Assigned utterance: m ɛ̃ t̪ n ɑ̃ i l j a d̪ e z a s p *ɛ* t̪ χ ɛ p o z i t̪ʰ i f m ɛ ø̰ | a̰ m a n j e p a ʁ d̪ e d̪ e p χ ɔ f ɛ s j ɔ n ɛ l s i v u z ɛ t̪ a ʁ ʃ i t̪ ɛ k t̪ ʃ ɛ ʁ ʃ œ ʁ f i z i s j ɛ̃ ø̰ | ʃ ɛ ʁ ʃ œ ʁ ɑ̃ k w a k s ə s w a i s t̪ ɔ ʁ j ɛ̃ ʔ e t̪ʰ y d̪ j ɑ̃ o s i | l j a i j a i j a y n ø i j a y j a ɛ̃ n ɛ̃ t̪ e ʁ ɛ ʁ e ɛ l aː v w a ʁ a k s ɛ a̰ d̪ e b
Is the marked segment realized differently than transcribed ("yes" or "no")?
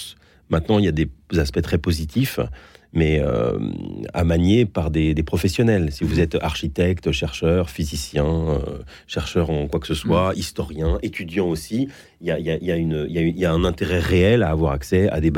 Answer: no